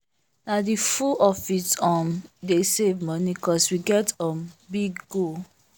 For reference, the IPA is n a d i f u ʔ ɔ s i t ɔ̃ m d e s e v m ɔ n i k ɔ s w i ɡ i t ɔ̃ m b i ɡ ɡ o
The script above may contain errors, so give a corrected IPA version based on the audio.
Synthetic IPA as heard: n a d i f u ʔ ɔ f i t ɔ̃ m d e s e v m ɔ n i k ɔ s w i ɡ ɛ t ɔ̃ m b i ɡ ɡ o